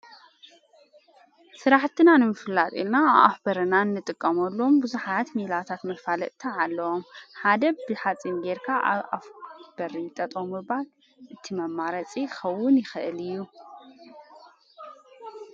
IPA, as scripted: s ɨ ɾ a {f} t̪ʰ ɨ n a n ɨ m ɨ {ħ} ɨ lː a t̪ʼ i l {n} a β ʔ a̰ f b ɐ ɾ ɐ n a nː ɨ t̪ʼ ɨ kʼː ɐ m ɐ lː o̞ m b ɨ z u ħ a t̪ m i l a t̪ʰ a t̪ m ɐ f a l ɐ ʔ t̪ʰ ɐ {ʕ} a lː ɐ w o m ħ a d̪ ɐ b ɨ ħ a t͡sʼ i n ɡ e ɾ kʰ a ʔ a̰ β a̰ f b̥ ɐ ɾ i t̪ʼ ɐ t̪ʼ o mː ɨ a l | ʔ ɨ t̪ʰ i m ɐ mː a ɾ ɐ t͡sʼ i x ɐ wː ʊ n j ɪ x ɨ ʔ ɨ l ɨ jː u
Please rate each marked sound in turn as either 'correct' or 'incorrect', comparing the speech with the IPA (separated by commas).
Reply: incorrect, incorrect, correct, correct